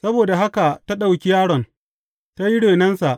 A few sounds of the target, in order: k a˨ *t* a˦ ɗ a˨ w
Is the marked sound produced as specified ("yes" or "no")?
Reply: yes